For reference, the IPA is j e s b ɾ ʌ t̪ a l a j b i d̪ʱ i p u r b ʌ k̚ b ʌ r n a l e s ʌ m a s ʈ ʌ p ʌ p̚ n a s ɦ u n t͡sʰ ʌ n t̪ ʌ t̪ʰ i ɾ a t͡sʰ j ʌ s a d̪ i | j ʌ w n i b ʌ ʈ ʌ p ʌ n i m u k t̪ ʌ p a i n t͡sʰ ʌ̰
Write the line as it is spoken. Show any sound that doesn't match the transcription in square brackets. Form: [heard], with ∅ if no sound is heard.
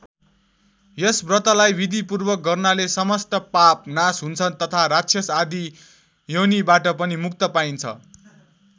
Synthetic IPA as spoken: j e s b [r] ʌ t̪ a l a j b i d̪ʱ i p u r b ʌ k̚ [ɡ] ʌ r n a l e s ʌ m [ʌ] s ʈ ʌ p [a] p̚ n a s ɦ u n t͡sʰ ʌ n t̪ ʌ t̪ʰ [a] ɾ a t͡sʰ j ʌ s a d̪ i | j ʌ w n i b [a] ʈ ʌ p ʌ n i m u k t̪ ʌ p a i n t͡sʰ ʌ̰